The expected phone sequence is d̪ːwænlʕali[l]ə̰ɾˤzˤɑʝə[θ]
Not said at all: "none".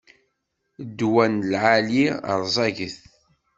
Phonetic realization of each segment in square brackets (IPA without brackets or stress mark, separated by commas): none, θ